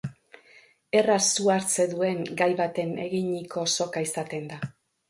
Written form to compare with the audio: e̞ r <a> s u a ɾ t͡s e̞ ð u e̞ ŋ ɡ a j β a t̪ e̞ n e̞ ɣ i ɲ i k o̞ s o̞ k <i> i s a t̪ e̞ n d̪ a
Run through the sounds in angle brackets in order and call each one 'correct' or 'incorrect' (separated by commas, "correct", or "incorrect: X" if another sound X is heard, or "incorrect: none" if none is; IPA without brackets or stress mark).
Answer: correct, incorrect: a